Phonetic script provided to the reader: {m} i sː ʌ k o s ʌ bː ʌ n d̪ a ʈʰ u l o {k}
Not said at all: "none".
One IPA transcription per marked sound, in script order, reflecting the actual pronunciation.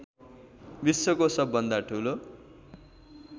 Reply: b, none

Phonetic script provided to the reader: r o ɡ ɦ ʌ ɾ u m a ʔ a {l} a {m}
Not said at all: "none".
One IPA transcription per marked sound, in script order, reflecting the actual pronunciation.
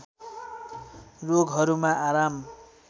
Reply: ɾ, m

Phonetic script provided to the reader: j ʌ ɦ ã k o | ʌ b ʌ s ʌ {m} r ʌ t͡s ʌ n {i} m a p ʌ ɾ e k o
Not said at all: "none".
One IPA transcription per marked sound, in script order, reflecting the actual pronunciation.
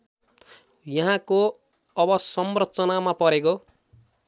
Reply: m, a

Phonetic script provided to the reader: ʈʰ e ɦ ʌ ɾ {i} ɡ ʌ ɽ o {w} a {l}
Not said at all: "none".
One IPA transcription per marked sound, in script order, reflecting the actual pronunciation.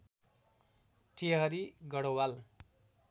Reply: i, w, l

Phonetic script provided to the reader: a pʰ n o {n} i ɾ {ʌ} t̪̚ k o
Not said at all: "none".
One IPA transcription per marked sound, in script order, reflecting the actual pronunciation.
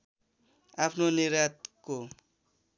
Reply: n, a

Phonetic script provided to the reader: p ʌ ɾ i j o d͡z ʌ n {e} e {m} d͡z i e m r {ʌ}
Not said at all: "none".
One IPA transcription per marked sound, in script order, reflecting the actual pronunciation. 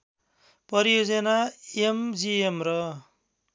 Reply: a, m, ʌ

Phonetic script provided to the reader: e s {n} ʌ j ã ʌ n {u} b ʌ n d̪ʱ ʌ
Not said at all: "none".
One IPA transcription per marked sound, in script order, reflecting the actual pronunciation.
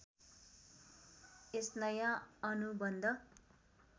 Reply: n, u

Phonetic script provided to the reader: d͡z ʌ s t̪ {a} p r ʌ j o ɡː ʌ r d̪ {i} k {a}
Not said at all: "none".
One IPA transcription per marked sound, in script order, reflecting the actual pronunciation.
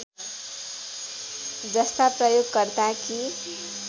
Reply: a, a, i

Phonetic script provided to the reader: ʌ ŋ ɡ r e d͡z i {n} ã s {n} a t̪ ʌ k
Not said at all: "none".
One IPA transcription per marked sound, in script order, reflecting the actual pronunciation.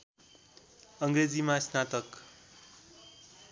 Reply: m, n

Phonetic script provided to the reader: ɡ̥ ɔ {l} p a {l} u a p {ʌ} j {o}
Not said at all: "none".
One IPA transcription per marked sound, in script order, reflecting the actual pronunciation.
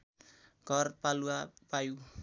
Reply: r, l, a, u

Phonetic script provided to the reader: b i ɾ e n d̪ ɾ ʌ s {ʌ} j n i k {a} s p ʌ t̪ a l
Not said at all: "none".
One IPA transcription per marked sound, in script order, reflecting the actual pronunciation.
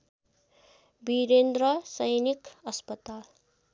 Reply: ʌ, ʌ

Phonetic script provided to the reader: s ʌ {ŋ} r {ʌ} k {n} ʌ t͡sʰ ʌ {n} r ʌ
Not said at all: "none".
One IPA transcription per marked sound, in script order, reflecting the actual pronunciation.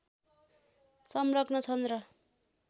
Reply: m, ʌ, n, n

